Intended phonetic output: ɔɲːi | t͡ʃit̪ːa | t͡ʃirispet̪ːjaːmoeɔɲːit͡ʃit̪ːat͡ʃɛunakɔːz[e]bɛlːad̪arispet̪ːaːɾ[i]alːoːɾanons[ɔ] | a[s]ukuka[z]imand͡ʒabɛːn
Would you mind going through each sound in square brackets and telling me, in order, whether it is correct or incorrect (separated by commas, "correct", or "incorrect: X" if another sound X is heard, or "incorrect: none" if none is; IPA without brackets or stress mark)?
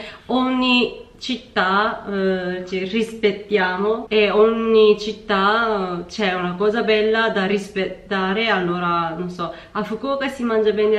incorrect: a, incorrect: e, correct, incorrect: f, incorrect: s